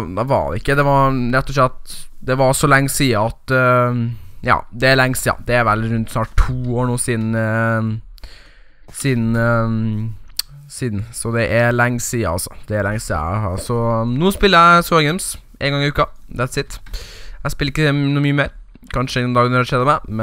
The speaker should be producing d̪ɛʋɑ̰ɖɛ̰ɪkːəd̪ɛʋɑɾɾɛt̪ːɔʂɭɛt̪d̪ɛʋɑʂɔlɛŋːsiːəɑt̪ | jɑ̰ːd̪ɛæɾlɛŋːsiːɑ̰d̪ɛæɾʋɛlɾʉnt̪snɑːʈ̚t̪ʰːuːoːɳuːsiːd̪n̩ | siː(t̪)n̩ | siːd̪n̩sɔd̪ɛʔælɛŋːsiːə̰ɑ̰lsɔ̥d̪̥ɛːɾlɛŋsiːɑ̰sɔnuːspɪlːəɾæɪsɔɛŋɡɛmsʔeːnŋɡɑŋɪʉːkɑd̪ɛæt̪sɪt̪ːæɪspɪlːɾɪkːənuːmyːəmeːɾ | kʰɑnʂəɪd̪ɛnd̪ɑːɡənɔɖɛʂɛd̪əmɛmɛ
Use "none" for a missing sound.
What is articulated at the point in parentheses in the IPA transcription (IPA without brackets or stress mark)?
d̪